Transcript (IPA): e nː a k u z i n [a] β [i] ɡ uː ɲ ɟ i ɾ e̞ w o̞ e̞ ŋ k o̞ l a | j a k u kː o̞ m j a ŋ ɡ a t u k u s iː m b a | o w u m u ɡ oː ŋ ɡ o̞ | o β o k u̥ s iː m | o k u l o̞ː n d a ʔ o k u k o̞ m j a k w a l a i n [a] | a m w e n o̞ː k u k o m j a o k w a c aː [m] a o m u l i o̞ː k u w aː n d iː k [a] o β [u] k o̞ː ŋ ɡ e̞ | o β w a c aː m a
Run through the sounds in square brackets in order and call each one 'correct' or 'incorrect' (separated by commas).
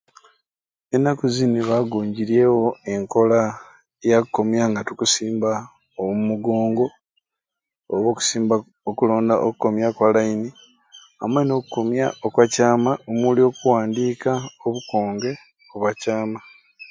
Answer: incorrect, incorrect, incorrect, correct, correct, correct